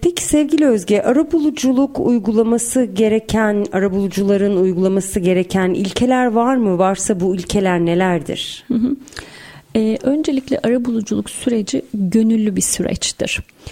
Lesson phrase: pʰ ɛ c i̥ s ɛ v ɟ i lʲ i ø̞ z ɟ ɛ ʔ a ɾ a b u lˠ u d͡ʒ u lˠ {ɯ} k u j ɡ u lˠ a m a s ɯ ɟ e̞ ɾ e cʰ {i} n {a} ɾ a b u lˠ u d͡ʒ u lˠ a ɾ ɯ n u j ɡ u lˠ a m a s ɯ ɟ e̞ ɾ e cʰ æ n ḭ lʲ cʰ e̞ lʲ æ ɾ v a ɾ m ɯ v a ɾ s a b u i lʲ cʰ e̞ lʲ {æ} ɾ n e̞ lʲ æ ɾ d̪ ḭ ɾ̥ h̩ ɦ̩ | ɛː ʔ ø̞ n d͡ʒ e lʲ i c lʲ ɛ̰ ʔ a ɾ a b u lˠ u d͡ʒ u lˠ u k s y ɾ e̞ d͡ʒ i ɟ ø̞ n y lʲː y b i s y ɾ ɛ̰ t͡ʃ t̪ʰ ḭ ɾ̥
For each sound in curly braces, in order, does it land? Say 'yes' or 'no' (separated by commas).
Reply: no, no, yes, yes